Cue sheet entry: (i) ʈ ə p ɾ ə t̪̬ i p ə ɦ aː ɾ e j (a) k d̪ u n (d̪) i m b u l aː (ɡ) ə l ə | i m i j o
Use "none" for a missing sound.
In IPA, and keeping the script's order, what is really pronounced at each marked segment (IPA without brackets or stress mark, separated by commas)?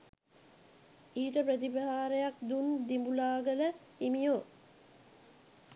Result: iː, a, d̪, ɡ